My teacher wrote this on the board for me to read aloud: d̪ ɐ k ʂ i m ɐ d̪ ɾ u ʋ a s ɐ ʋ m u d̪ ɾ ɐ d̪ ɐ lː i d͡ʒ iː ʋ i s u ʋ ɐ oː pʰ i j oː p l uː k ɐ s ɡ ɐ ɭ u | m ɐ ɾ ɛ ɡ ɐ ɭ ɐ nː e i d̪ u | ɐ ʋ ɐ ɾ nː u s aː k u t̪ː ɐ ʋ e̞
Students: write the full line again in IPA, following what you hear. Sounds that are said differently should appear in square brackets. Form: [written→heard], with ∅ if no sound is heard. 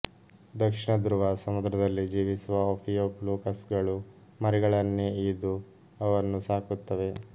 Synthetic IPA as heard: d̪ ɐ k ʂ i [m→ɳ] ɐ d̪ ɾ u ʋ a s ɐ [ʋ→∅] m u d̪ ɾ ɐ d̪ ɐ lː i d͡ʒ iː ʋ i s u ʋ ɐ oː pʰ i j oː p l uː k ɐ s ɡ ɐ ɭ u | m ɐ ɾ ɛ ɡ ɐ ɭ ɐ nː e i d̪ u | ɐ ʋ ɐ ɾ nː u s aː k u t̪ː ɐ ʋ e̞

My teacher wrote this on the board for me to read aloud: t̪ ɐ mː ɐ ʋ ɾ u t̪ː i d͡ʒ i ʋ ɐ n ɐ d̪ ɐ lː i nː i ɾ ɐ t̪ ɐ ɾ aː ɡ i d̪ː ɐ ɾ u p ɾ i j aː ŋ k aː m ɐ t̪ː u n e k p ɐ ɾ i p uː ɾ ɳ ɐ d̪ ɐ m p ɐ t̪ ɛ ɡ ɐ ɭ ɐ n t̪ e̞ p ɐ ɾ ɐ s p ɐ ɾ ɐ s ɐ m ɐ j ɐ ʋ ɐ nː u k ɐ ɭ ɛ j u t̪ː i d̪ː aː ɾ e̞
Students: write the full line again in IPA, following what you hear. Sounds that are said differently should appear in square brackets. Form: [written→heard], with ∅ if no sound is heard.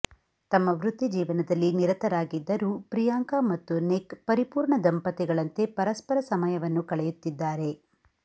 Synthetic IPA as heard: t̪ ɐ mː ɐ ʋ ɾ u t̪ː i d͡ʒ [i→iː] ʋ ɐ n ɐ d̪ ɐ lː i [nː→n] i ɾ ɐ t̪ ɐ ɾ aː ɡ i d̪ː ɐ ɾ u p ɾ i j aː ŋ k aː m ɐ t̪ː u n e k p ɐ ɾ i p uː ɾ ɳ ɐ d̪ ɐ m p ɐ t̪ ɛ ɡ ɐ ɭ ɐ n t̪ e̞ p ɐ ɾ ɐ s p ɐ ɾ ɐ s ɐ m ɐ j ɐ ʋ ɐ nː u k ɐ ɭ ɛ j u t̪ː i d̪ː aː ɾ e̞

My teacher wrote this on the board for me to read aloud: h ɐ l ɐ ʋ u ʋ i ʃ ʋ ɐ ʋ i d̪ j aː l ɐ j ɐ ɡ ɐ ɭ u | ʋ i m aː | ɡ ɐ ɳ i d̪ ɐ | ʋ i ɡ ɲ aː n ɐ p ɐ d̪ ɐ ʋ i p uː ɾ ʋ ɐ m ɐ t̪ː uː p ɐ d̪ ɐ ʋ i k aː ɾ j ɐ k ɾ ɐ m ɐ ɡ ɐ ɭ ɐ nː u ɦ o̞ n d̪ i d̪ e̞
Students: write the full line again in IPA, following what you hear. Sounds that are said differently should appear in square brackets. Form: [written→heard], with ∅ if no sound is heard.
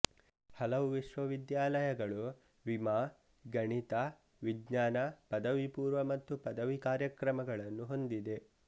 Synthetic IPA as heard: h ɐ l ɐ ʋ u ʋ i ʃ ʋ ɐ ʋ i d̪ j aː l ɐ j ɐ ɡ ɐ ɭ u | ʋ i m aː | ɡ ɐ ɳ i [d̪→t̪] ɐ | ʋ i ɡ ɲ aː n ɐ p ɐ d̪ ɐ ʋ i p uː ɾ ʋ ɐ m ɐ t̪ː [uː→u] p ɐ d̪ ɐ ʋ i k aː ɾ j ɐ k ɾ ɐ m ɐ ɡ ɐ ɭ ɐ nː u ɦ o̞ n d̪ i d̪ e̞

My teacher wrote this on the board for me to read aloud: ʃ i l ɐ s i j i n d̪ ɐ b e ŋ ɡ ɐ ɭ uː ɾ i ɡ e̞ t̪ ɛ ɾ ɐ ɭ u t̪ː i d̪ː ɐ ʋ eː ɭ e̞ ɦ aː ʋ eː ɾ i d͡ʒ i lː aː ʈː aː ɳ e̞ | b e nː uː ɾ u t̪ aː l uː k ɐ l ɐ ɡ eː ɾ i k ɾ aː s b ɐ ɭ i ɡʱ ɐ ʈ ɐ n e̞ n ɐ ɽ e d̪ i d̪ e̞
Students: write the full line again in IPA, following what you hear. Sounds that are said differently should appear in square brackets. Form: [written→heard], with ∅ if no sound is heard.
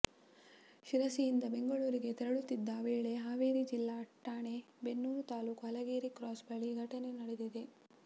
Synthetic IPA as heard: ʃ i [l→ɾ] ɐ s i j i n d̪ ɐ b e ŋ ɡ ɐ ɭ uː ɾ i ɡ e̞ t̪ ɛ ɾ ɐ ɭ u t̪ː i d̪ː ɐ ʋ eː ɭ e̞ ɦ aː ʋ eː ɾ i d͡ʒ i lː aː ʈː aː ɳ e̞ | b e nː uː ɾ u t̪ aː l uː k ɐ l ɐ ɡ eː ɾ i k ɾ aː s b ɐ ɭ i ɡʱ ɐ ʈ ɐ n e̞ n ɐ ɽ e d̪ i d̪ e̞

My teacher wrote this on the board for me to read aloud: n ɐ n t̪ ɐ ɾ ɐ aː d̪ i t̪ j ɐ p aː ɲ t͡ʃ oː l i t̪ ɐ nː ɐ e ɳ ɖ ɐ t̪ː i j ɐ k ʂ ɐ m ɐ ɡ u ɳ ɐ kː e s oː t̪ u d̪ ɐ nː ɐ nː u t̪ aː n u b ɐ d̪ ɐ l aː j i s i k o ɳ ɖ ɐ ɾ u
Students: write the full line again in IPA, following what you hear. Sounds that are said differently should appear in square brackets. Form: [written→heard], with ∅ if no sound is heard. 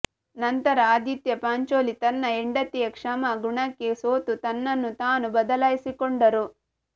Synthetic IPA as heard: n ɐ n t̪ ɐ ɾ ɐ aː d̪ i t̪ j ɐ p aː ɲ t͡ʃ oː l i t̪ ɐ nː ɐ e ɳ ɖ ɐ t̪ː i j ɐ k ʂ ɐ m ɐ ɡ u ɳ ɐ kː e s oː t̪ u [d̪→t̪] ɐ nː ɐ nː u t̪ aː n u b ɐ d̪ ɐ l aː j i s i k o ɳ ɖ ɐ ɾ u

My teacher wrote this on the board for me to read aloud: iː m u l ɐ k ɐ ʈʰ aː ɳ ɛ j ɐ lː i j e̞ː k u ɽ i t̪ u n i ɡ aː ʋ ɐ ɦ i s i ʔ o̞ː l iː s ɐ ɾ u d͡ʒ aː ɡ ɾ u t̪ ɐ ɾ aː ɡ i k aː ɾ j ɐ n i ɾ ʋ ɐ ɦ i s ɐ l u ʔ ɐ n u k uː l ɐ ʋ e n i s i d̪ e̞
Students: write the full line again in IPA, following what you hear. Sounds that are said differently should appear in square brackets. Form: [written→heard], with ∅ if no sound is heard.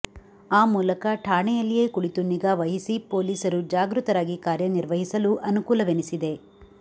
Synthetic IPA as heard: [iː→aː] m [u→uː] l ɐ k ɐ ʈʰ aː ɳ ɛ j ɐ lː i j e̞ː k u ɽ i t̪ u n i ɡ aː ʋ ɐ ɦ i s i [ʔ→p] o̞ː l iː s ɐ ɾ u d͡ʒ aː ɡ ɾ u t̪ ɐ ɾ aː ɡ i k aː ɾ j ɐ n i ɾ ʋ ɐ ɦ i s ɐ l u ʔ ɐ n u k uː l ɐ ʋ e n i s i d̪ e̞

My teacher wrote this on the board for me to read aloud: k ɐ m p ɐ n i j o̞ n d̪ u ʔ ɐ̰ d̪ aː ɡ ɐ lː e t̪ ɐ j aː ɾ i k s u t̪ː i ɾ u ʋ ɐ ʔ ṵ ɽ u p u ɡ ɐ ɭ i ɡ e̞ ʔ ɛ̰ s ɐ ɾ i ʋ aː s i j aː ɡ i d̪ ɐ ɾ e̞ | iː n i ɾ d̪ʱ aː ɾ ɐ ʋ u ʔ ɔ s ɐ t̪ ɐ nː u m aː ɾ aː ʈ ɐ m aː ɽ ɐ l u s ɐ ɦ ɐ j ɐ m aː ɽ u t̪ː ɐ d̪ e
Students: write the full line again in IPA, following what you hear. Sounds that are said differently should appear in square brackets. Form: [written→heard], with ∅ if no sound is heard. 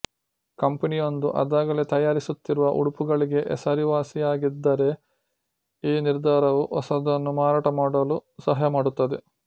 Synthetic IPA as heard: k ɐ m p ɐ n i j o̞ n d̪ u ʔ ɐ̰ d̪ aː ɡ ɐ [lː→l] e t̪ ɐ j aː ɾ i [k→∅] s u t̪ː i ɾ u ʋ ɐ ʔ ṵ ɽ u p u ɡ ɐ ɭ i ɡ e̞ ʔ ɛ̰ s ɐ ɾ i ʋ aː s i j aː ɡ i [d̪→d̪ː] ɐ ɾ e̞ | iː n i ɾ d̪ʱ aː ɾ ɐ ʋ u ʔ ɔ s ɐ [t̪→d̪] ɐ nː u m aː ɾ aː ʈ ɐ m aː ɽ ɐ l u s ɐ ɦ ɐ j ɐ m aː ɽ u t̪ː ɐ d̪ e

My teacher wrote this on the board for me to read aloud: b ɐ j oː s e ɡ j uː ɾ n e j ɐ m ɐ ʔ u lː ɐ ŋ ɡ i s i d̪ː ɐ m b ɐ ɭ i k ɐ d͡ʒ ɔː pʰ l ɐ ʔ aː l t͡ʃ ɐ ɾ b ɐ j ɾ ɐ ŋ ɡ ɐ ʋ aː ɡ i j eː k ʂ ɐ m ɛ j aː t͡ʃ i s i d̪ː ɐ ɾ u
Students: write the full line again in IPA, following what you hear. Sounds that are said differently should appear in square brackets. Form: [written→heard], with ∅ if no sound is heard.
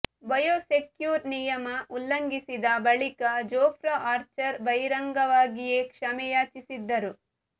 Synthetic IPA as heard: b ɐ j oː s e [ɡ→k] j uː ɾ n [e→i] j ɐ m ɐ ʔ u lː ɐ ŋ ɡ i s i [d̪ː→d̪] ɐ [m→∅] b ɐ ɭ i k ɐ d͡ʒ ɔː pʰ [l→ɾ] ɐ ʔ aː [l→ɾ] t͡ʃ ɐ ɾ b ɐ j ɾ ɐ ŋ ɡ ɐ ʋ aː ɡ i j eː k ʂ ɐ m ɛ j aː t͡ʃ i s i d̪ː ɐ ɾ u

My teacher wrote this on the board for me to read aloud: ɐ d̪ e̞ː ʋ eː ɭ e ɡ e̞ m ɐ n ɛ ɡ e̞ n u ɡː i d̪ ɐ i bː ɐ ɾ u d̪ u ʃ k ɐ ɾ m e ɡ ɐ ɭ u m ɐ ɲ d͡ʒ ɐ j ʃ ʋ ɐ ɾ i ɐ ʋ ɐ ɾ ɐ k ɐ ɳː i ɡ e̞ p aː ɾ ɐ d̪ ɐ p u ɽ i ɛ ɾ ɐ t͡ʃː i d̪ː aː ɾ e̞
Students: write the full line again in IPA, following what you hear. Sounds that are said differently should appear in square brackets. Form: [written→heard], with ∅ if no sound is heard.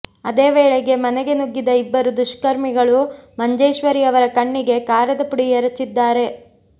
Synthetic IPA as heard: ɐ d̪ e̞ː ʋ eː ɭ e ɡ e̞ m ɐ n ɛ ɡ e̞ n u ɡː i d̪ ɐ i bː ɐ ɾ u d̪ u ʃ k ɐ ɾ m [e→i] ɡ ɐ ɭ u m ɐ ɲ d͡ʒ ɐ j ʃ ʋ ɐ ɾ i ɐ ʋ ɐ ɾ ɐ k ɐ ɳː i ɡ e̞ [p→k] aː ɾ ɐ d̪ ɐ p u ɽ i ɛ ɾ ɐ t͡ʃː i d̪ː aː ɾ e̞

